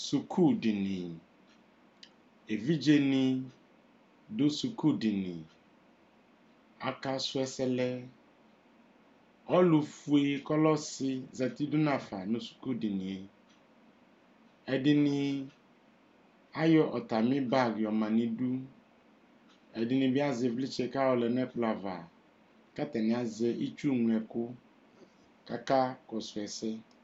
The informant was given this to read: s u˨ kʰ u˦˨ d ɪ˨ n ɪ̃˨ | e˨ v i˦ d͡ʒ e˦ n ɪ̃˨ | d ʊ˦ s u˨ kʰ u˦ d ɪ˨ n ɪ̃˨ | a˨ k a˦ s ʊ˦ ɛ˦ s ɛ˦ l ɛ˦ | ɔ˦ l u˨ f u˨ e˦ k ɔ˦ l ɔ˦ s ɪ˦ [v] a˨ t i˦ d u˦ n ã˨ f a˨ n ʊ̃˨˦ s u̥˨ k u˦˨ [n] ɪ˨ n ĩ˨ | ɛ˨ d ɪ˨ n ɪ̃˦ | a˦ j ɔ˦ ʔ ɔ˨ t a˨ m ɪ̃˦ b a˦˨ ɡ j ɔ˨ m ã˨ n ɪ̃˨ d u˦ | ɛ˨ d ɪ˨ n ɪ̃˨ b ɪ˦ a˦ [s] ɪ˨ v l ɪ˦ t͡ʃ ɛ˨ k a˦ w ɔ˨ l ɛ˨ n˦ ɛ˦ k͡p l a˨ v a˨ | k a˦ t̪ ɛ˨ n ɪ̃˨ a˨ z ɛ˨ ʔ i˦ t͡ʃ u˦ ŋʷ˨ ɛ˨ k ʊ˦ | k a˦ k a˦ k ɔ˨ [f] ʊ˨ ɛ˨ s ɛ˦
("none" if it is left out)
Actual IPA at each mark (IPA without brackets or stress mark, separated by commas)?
z, d, z, s